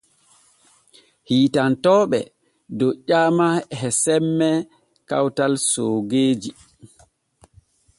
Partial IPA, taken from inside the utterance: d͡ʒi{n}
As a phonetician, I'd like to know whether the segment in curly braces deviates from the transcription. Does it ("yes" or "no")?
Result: yes